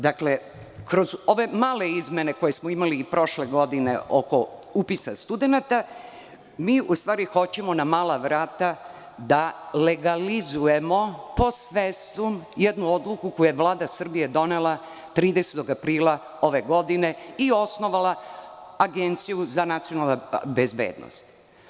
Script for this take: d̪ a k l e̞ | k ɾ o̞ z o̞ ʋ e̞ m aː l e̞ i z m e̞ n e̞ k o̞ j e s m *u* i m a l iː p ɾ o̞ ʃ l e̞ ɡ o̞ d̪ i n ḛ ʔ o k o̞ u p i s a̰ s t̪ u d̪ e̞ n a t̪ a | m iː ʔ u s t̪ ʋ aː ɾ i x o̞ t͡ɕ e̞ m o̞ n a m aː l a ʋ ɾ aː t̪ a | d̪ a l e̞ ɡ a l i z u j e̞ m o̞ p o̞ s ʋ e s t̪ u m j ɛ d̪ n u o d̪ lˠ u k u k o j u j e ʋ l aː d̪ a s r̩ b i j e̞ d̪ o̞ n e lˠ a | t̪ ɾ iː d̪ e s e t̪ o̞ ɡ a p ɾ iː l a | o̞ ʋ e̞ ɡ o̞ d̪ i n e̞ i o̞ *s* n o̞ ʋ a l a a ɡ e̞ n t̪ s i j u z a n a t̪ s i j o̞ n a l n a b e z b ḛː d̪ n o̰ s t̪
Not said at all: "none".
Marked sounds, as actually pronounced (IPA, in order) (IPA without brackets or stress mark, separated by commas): o, s